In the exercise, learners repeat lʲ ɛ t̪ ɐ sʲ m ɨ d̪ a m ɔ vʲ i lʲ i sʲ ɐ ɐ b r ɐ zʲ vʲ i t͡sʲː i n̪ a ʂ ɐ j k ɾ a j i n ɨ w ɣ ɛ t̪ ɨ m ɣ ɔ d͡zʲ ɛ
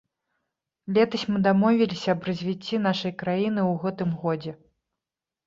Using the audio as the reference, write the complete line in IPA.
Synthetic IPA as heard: lʲ ɛ t̪ ɐ sʲ m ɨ d̪ a m ɔ vʲ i lʲ i sʲ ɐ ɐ b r ɐ zʲ vʲ i t͡sʲː i n̪ a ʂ ɐ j k ɾ a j i n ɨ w ɣ ɛ t̪ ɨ m ɣ ɔ d͡zʲ ɛ

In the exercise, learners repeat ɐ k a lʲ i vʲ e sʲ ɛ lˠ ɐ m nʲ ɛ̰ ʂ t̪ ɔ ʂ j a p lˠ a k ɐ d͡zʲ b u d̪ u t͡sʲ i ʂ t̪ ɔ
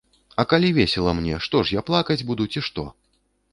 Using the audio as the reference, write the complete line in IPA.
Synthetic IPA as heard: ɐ k a lʲ i vʲ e sʲ ɛ lˠ ɐ m nʲ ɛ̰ ʂ t̪ ɔ ʂ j a p lˠ a k ɐ d͡zʲ b u d̪ u t͡sʲ i ʂ t̪ ɔ

